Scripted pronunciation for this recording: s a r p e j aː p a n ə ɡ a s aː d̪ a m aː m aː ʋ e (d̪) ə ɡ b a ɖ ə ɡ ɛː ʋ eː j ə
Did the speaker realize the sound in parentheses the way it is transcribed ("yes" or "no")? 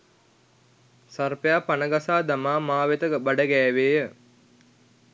no